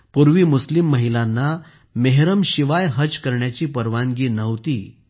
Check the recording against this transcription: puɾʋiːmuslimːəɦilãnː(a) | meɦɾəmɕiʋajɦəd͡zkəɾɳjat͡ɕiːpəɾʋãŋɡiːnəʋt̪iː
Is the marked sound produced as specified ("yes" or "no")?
yes